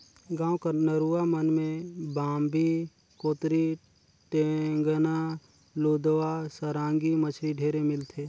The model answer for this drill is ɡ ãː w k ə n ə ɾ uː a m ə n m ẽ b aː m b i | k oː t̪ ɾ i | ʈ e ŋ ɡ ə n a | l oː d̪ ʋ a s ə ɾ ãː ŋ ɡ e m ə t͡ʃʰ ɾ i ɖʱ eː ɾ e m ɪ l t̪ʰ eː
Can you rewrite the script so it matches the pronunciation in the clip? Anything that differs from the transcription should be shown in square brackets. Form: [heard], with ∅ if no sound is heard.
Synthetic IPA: ɡ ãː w k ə n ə ɾ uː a m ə n m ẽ b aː m b i | k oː t̪ ɾ i | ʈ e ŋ ɡ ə n a | l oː d̪ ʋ a s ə ɾ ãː ŋ ɡ [i] m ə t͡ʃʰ ɾ i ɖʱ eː ɾ e m ɪ l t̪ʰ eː

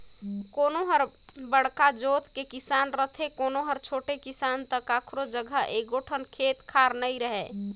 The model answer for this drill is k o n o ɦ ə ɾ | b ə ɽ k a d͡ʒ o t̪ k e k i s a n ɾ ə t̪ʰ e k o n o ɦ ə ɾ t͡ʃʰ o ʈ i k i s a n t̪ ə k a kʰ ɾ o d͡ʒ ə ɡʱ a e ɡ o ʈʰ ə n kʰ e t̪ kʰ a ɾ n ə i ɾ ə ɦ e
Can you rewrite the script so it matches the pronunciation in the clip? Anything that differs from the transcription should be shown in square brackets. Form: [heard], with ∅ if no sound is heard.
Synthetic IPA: k o n o ɦ ə ɾ | b ə ɽ k a d͡ʒ o t̪ k e k i s a n ɾ ə t̪ʰ e k o n o ɦ ə ɾ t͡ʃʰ o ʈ [e] k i s a n t̪ ə k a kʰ ɾ o d͡ʒ ə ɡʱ [ə] e ɡ o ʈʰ ə n kʰ e t̪ kʰ a ɾ n ə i ɾ ə ɦ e

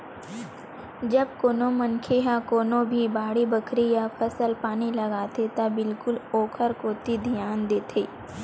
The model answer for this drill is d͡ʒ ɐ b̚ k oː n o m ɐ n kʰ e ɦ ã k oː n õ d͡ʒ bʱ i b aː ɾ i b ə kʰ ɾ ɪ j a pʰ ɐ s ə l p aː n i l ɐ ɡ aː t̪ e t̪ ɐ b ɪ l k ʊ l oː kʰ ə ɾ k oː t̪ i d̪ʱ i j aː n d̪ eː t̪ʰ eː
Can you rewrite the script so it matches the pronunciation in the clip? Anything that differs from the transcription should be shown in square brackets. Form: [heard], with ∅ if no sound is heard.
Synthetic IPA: d͡ʒ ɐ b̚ k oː n o m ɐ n kʰ e ɦ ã k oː n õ [∅] bʱ i b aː [ɽ] i b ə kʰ ɾ [i] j a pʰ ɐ s ə l p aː n i l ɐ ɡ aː t̪ e t̪ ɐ b ɪ l k ʊ l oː kʰ ə ɾ k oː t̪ i d̪ʱ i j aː n d̪ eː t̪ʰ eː

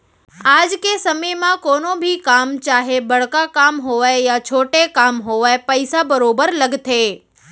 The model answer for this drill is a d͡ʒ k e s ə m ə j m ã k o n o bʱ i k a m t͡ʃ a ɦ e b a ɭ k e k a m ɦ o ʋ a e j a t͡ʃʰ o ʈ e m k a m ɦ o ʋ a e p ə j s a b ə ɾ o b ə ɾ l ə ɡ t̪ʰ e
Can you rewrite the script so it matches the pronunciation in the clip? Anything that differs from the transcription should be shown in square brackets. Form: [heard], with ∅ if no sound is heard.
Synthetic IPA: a d͡ʒ k e s ə m ə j m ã k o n o bʱ i k a m t͡ʃ a ɦ e b [ə] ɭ k [a] k a m ɦ o ʋ a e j a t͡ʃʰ o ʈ e [∅] k a m ɦ o ʋ a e p ə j s a b ə ɾ o b ə ɾ l ə ɡ t̪ʰ e

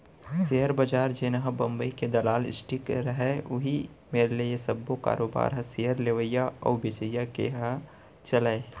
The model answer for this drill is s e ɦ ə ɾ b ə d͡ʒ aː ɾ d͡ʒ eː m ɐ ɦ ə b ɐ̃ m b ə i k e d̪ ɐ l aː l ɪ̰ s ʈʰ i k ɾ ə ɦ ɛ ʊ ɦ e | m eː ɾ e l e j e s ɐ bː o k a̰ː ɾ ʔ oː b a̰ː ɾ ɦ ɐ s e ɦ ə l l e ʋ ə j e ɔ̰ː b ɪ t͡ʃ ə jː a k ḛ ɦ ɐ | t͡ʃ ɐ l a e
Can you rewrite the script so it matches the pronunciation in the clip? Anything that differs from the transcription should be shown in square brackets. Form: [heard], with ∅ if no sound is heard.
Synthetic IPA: s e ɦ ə ɾ b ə d͡ʒ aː ɾ d͡ʒ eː [n] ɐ ɦ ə b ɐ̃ m b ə i k e d̪ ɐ l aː l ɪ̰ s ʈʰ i k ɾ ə ɦ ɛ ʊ ɦ [i] | m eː ɾ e l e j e s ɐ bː o k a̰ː ɾ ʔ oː b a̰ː ɾ ɦ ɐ s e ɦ ə [ɾ] l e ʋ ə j [a] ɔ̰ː b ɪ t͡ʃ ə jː a k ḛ ɦ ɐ | t͡ʃ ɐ l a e

